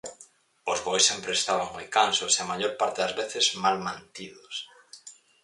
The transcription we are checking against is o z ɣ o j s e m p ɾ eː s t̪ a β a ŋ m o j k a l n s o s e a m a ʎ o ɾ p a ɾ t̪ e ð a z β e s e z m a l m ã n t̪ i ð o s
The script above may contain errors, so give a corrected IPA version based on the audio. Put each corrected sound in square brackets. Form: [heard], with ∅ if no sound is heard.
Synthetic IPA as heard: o z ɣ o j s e m p ɾ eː s t̪ a β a ŋ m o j k a [∅] n s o s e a m a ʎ o ɾ p a ɾ t̪ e ð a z β e [θ] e z m a l m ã n t̪ i ð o s